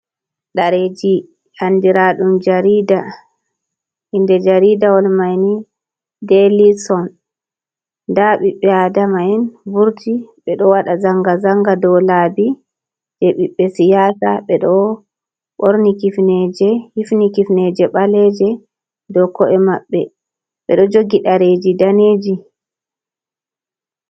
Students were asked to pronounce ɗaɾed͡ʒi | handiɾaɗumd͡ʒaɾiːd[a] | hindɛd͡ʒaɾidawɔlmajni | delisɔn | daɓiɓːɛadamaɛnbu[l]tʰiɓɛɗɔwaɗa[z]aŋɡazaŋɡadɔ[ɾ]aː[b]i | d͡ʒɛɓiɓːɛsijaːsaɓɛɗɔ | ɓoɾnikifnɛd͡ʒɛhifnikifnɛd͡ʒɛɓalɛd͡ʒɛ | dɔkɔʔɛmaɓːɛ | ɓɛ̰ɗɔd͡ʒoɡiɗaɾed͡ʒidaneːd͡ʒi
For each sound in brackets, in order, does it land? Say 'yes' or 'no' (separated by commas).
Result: yes, no, yes, no, yes